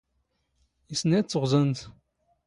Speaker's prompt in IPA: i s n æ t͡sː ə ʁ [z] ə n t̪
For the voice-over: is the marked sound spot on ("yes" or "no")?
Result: yes